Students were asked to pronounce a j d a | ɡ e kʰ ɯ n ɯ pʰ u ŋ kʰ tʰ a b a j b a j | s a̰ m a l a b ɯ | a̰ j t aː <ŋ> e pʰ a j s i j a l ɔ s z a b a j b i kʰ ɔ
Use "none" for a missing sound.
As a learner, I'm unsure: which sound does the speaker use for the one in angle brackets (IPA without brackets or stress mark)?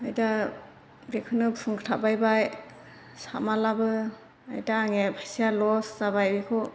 ŋ